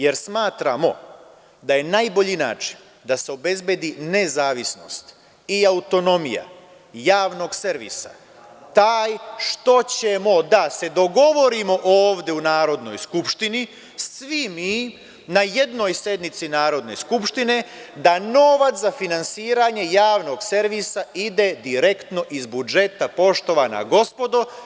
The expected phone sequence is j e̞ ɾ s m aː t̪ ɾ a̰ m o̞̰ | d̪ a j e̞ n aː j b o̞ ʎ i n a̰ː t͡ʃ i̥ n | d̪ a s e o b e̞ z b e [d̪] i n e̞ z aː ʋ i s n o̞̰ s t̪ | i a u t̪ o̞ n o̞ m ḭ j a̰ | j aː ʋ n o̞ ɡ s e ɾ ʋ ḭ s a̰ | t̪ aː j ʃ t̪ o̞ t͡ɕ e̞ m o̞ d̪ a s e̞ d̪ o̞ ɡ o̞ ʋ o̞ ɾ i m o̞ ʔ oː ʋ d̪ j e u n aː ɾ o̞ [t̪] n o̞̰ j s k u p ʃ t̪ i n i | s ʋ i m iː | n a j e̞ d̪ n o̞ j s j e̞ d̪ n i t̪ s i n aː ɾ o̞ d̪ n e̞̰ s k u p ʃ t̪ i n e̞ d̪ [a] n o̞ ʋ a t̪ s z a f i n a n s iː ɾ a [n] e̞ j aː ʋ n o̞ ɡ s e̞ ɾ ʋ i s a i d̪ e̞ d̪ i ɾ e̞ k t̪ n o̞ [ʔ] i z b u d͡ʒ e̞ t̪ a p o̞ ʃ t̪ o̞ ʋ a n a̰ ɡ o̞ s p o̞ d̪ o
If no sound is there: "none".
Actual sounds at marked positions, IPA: d̪, d̪, a, ɲ, ʔ

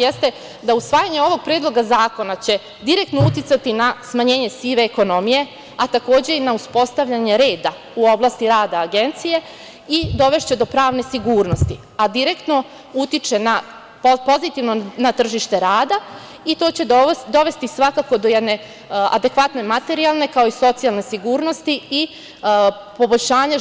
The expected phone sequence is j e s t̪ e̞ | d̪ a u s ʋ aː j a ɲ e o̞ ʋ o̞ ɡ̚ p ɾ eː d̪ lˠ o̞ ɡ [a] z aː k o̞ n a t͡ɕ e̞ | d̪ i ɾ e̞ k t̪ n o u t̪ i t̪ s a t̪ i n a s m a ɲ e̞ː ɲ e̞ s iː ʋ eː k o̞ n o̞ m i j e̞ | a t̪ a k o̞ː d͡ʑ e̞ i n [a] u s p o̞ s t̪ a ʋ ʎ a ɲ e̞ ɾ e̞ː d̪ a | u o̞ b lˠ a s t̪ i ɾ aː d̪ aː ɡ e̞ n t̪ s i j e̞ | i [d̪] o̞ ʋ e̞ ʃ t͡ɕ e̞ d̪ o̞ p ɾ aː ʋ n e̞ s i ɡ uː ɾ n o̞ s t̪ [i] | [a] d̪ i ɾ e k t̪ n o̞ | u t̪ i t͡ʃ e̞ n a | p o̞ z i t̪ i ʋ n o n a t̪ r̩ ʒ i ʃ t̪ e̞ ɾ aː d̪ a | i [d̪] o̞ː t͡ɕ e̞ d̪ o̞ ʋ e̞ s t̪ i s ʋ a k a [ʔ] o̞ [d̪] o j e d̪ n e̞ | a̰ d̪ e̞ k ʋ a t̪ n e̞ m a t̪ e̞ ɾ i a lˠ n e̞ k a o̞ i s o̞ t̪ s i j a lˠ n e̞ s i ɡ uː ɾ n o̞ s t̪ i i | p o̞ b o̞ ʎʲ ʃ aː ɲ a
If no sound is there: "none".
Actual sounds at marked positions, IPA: a, a, d̪, i, a, t̪, k, d̪

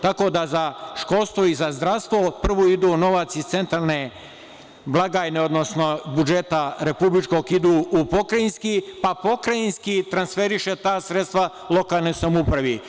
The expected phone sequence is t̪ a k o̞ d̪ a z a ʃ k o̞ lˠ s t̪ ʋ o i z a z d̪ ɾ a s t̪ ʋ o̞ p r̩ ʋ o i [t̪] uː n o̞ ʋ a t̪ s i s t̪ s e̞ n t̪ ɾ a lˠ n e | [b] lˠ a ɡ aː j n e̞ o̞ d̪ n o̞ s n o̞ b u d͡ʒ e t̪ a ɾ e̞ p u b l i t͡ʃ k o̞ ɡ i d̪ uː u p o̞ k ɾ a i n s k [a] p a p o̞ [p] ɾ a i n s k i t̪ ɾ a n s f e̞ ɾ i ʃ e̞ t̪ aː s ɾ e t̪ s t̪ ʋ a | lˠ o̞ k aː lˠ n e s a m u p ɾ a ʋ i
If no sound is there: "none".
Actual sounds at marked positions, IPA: d̪, b, i, k

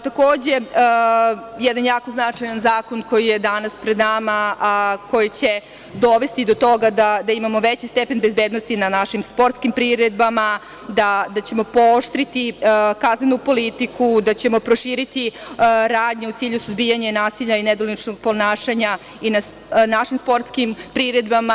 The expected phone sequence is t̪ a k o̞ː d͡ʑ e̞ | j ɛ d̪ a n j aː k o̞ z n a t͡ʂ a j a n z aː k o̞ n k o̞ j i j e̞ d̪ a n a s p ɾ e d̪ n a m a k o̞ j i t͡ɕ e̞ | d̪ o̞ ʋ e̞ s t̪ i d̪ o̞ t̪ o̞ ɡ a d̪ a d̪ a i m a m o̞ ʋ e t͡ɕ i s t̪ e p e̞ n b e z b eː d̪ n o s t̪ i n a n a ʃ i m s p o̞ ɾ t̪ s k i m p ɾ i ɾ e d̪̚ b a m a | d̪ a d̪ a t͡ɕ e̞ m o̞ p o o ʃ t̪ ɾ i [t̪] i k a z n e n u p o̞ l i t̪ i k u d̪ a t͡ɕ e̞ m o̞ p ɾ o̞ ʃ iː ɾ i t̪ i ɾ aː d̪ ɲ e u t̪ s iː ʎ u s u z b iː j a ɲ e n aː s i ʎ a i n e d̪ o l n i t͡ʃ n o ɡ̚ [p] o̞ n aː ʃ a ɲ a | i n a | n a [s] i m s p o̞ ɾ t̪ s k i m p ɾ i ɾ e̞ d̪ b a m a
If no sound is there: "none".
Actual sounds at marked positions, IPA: t̪, p, ʃ

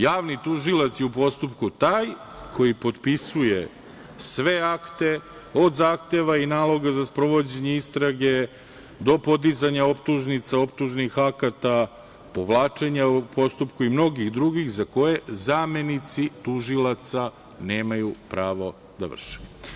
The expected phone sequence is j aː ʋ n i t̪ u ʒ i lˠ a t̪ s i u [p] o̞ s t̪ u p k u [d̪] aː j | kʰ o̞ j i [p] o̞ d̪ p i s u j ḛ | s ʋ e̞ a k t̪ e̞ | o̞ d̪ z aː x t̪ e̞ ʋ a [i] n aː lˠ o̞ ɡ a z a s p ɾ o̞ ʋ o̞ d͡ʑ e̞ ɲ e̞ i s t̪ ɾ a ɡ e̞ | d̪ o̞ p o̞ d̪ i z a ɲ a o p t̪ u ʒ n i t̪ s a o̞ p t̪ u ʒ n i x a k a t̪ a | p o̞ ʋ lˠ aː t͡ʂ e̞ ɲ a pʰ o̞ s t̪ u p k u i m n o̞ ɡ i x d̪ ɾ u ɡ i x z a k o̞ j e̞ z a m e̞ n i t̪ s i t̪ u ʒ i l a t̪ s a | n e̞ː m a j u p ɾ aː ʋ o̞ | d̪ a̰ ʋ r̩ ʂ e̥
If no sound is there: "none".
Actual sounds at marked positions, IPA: p, t̪, p, i

